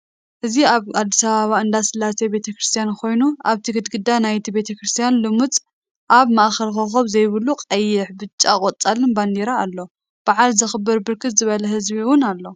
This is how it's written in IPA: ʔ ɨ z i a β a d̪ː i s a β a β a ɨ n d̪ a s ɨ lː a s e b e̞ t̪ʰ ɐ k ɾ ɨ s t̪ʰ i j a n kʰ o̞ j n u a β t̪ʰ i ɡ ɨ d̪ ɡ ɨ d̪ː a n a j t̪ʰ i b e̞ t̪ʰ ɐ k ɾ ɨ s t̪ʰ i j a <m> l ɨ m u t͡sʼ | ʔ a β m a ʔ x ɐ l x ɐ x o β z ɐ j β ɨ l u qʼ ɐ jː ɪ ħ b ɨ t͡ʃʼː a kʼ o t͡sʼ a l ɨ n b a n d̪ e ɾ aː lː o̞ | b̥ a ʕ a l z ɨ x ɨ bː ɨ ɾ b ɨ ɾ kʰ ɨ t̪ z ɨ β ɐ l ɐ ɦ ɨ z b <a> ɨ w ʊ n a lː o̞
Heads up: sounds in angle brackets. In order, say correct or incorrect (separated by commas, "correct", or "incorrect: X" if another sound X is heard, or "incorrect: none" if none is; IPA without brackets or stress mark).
incorrect: n, incorrect: i